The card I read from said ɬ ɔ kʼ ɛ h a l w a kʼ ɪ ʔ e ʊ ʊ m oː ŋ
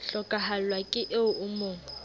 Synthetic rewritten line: ɬ ɔ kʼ a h a l w a kʼ ɪ ʔ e ʊ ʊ m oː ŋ

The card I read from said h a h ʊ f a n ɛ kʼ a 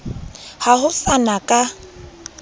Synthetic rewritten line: h a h ʊ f a n a kʼ a

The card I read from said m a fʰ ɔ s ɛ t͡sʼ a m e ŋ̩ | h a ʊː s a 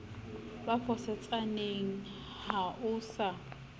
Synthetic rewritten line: b a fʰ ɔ s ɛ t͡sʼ a n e ŋ̩ | h a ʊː s a

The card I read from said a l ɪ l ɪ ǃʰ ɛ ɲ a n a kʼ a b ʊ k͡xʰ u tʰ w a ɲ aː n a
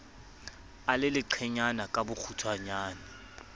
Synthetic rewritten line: a l ɪ l ɪ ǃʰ ɛ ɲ a n a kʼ a b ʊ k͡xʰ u tʰ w a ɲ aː n a

